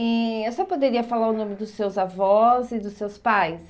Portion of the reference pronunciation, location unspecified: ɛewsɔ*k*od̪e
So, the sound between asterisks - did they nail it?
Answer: no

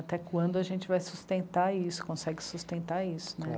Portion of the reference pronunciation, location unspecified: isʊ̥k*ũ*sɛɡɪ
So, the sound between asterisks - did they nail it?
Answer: no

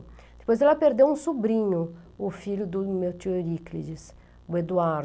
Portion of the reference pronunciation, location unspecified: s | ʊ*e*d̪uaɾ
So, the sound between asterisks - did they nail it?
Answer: yes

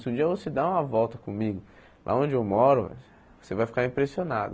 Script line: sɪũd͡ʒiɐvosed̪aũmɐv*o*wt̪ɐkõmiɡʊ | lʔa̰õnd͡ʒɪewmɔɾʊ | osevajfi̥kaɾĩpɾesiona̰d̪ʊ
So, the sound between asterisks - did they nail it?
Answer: no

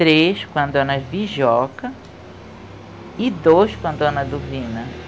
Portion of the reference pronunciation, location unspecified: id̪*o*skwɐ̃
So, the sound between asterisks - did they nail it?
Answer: yes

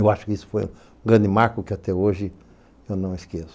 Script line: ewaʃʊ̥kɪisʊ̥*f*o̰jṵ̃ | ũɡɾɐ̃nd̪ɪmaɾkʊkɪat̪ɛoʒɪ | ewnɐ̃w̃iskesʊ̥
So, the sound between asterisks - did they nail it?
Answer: yes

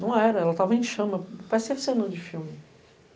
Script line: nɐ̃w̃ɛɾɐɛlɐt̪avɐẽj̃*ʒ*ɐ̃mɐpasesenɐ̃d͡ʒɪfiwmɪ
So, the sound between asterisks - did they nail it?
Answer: no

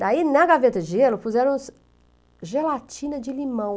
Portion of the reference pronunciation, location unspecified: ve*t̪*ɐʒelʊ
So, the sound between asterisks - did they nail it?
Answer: yes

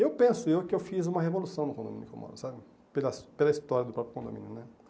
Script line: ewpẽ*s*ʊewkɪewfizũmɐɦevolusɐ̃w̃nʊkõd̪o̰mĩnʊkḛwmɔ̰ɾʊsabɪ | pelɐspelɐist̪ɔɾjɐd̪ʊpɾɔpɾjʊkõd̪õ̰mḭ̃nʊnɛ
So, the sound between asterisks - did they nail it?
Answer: yes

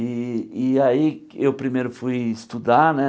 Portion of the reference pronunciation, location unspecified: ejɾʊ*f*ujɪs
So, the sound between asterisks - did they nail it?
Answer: yes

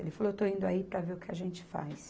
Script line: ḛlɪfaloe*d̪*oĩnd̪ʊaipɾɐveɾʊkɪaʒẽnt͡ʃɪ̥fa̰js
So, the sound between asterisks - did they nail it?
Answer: no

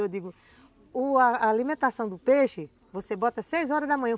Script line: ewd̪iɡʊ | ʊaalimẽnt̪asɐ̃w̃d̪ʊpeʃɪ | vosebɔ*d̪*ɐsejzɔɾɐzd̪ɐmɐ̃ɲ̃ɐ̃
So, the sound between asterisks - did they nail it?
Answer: no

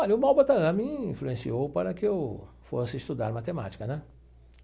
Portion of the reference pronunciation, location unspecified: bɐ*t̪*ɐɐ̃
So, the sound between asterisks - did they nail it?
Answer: yes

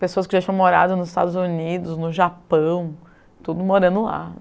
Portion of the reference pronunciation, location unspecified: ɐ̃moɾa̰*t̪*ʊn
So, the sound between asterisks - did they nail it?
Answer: no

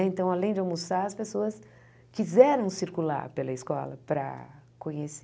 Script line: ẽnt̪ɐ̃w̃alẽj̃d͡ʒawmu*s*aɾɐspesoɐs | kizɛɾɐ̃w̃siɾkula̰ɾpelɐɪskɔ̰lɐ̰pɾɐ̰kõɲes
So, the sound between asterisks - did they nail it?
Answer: yes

